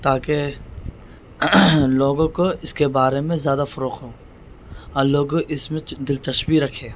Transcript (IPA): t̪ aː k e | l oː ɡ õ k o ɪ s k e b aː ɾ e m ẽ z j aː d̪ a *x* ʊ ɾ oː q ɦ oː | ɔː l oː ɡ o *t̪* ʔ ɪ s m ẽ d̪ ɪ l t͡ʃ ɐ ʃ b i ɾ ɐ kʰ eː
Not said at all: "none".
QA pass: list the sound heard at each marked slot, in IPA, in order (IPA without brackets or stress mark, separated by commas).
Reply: f, none